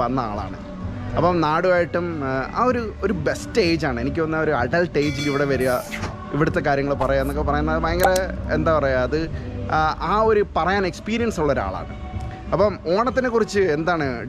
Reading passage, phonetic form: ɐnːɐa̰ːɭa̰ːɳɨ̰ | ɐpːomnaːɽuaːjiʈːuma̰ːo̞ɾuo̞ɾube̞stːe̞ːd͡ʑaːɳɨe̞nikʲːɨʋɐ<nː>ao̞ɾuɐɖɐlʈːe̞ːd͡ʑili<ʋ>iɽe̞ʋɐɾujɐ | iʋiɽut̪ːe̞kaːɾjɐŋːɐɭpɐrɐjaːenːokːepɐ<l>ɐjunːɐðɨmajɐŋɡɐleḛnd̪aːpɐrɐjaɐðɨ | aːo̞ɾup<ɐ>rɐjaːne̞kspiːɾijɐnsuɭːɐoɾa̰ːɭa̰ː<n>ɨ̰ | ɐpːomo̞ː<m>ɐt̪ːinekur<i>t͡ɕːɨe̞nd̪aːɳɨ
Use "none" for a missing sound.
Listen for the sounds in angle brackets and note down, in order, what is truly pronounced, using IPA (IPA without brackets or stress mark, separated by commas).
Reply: nː, ʋ, r, ɐ, ɳ, ɳ, i